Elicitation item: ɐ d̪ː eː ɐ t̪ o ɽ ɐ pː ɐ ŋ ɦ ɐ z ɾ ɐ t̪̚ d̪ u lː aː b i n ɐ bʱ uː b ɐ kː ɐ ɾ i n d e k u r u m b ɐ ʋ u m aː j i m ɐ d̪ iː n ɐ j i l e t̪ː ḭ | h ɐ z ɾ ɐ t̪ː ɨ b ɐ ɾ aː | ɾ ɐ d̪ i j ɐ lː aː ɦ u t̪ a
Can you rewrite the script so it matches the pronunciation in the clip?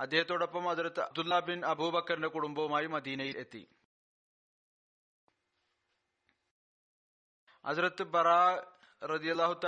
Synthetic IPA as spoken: ɐ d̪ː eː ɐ t̪ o ɽ ɐ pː ɐ m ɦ ɐ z ɾ ɐ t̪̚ d̪ u lː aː b i n ɐ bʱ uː b ɐ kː ɐ ɾ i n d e k u ɽ u m b ɐ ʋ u m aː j i m ɐ d̪ iː n ɐ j i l e t̪ː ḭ | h ɐ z ɾ ɐ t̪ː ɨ b ɐ ɾ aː | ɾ ɐ d̪ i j ɐ lː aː ɦ u t̪ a